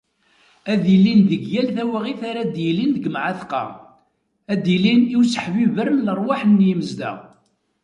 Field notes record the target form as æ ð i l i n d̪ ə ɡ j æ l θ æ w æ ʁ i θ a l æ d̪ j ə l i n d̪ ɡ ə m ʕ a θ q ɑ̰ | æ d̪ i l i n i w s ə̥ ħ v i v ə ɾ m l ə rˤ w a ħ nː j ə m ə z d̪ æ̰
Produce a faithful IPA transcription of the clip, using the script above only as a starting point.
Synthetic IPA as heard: æ ð i l i n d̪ ə ɡ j æ l θ æ w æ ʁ i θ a ɾ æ d̪ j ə l i n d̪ ɡ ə m ʕ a θ q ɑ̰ | æ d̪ i l i n i w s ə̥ ħ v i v ə ɾ m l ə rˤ w a ħ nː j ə m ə z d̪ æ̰